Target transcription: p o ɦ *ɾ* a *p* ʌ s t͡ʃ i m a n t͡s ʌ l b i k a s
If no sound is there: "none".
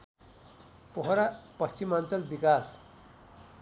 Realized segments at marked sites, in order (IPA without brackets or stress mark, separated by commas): ɾ, p